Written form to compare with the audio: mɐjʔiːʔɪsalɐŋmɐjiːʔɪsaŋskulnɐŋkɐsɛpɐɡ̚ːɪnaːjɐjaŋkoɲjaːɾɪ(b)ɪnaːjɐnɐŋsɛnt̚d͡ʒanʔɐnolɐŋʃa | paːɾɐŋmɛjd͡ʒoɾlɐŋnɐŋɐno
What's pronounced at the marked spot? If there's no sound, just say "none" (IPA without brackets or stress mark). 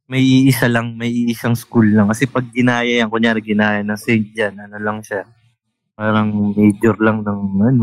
ɡ